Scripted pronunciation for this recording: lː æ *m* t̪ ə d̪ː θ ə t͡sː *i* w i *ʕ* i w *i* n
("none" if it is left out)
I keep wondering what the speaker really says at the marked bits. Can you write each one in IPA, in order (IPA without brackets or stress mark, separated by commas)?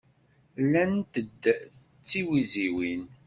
n, i, z, i